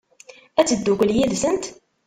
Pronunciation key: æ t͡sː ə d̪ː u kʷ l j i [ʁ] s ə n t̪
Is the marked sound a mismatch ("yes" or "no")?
yes